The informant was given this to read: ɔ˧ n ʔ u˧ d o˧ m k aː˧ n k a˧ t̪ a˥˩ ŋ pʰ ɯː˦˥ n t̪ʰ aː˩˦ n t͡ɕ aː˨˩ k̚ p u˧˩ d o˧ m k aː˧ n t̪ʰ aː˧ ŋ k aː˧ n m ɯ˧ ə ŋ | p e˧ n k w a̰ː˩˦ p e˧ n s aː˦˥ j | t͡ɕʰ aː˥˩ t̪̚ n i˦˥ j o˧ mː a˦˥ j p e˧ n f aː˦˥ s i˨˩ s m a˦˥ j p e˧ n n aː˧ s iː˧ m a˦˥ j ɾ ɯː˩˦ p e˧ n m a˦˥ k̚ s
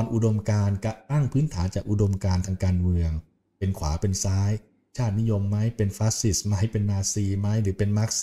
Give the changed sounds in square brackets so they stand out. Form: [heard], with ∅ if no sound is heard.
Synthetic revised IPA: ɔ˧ n ʔ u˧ d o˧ m k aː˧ n k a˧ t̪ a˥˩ ŋ pʰ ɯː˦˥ n t̪ʰ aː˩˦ n t͡ɕ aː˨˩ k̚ [ʔ] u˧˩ d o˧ m k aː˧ n t̪ʰ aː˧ ŋ k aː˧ n m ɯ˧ ə ŋ | p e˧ n [kʰ] w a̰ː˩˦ p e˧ n s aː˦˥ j | t͡ɕʰ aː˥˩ t̪̚ n i˦˥ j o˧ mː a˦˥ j p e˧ n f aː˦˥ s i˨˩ s m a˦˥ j p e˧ n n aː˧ s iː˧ m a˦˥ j ɾ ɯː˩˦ p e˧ n m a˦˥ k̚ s